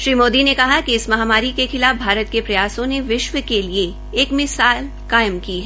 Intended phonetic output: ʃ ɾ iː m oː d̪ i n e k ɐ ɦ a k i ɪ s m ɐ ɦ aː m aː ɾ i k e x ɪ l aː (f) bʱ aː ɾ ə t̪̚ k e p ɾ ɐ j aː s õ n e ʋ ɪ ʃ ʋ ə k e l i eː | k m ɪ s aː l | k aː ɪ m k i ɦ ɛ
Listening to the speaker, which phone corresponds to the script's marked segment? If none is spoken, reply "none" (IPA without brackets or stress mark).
f